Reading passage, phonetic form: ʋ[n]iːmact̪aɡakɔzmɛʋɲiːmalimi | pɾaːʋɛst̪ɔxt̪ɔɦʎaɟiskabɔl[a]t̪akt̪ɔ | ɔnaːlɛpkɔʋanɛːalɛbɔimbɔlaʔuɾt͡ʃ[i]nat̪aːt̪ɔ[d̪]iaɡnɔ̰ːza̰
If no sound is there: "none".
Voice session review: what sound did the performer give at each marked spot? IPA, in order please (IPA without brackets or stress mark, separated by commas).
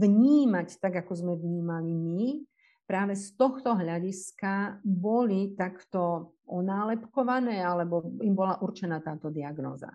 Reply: ɲ, i, ɛ, d̪